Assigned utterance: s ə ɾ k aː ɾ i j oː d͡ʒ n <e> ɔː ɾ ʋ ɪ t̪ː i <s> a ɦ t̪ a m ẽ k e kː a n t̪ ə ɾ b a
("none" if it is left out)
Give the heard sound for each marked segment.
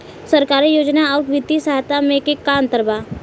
a, s

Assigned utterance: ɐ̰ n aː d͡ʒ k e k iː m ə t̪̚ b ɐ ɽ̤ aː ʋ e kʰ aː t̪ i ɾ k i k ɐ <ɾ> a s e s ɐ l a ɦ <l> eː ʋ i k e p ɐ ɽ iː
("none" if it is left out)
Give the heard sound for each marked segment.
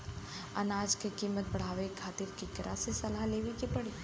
ɾ, l

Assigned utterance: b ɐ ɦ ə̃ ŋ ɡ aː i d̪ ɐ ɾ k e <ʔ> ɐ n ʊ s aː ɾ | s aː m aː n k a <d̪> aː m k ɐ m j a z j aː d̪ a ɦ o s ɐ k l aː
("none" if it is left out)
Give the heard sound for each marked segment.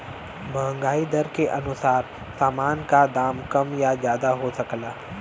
ʔ, d̪

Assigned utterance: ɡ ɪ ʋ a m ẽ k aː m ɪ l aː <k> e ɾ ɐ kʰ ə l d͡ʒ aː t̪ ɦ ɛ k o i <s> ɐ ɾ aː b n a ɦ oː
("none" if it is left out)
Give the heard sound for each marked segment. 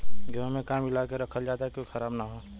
k, x

